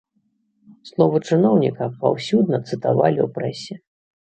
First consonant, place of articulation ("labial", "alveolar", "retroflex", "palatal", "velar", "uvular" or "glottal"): alveolar